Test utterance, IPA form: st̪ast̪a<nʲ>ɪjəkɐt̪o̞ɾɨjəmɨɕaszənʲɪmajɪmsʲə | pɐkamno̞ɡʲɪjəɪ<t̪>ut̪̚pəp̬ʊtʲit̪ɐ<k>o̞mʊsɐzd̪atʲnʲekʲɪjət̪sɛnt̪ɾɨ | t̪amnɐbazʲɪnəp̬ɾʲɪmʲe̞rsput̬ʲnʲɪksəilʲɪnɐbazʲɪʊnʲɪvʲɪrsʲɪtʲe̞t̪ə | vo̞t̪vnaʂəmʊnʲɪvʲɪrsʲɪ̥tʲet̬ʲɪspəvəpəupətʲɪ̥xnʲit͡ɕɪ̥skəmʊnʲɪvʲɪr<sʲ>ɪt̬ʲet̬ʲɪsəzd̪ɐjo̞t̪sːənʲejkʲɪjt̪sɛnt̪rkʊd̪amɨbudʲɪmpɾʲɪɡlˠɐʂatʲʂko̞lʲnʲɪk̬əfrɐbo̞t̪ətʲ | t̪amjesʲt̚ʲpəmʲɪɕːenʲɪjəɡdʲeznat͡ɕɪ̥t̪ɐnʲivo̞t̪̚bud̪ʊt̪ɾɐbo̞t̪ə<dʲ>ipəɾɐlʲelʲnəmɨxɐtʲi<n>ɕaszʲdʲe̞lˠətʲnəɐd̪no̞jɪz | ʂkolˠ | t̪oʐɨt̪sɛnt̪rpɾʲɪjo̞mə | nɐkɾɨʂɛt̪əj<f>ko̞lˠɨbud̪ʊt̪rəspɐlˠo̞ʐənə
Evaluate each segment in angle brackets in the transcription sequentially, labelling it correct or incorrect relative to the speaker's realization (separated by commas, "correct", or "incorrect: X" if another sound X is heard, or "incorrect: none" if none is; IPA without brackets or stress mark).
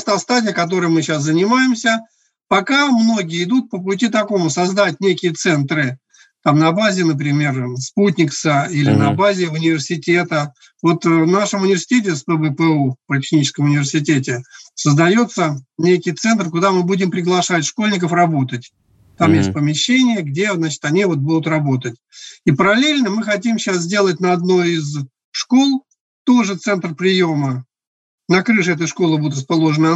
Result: incorrect: dʲ, incorrect: d̪, correct, correct, incorrect: tʲ, incorrect: m, incorrect: ʂ